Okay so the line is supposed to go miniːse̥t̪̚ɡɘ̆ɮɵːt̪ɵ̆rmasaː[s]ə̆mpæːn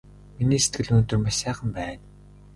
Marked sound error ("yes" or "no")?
yes